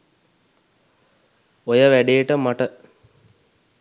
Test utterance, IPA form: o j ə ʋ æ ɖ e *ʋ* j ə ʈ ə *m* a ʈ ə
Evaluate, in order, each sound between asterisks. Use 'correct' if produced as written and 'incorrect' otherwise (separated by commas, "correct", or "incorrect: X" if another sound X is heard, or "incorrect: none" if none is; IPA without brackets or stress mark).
incorrect: none, correct